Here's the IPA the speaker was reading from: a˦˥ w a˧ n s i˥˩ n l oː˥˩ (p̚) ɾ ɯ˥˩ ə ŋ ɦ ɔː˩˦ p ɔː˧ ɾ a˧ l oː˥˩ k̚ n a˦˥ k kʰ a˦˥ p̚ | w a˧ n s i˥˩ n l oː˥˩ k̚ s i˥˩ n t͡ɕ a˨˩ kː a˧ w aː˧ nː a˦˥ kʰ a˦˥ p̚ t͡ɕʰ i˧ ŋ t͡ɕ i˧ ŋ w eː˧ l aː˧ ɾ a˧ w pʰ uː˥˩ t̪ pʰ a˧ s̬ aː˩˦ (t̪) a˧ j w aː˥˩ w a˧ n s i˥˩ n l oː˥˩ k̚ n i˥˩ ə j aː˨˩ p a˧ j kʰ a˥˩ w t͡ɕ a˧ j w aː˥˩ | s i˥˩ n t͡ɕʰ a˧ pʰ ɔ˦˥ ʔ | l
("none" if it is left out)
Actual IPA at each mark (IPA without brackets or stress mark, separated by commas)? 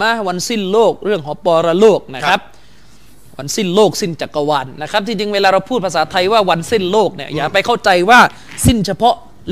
k̚, t̪ʰ